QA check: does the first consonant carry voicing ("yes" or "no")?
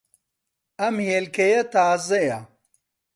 yes